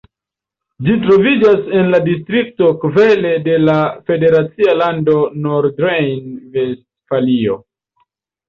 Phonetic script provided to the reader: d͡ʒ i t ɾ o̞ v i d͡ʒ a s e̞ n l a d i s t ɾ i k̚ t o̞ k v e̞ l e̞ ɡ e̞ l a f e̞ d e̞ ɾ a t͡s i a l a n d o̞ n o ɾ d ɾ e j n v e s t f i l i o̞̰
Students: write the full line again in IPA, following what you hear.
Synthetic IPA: d͡ʒ i t ɾ o̞ v i d͡ʒ a s e̞ n l a d i s t ɾ i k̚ t o̞ k v e̞ l e̞ d e̞ l a f e̞ d e̞ ɾ a t͡s i a l a n d o̞ n o ɾ d ɾ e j n v e s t f a l i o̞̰